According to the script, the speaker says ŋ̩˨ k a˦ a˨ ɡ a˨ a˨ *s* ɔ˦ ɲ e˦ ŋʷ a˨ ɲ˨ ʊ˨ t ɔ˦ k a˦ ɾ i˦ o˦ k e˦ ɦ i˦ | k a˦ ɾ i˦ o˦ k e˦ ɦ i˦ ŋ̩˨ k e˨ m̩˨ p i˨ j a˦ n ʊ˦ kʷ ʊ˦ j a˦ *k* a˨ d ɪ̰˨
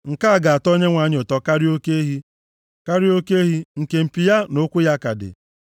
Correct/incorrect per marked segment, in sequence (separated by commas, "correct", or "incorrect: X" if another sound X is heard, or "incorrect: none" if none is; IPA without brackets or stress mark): incorrect: t, correct